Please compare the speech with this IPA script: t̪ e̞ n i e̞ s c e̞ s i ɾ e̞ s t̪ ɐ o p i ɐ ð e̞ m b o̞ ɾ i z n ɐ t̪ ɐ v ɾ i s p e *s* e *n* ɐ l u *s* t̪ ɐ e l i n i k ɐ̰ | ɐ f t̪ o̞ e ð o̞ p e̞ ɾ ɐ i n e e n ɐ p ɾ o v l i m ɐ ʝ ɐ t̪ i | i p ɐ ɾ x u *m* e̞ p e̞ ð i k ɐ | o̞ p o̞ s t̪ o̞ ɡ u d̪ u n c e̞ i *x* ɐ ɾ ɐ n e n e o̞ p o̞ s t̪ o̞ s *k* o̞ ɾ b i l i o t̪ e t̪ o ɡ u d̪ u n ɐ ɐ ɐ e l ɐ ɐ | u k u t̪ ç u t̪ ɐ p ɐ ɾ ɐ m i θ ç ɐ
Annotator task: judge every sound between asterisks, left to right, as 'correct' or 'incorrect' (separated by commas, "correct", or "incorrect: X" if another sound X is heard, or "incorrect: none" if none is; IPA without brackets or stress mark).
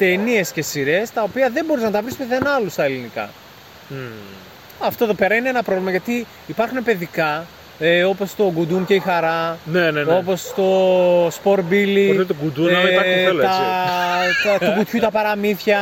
incorrect: θ, correct, correct, incorrect: n, correct, incorrect: p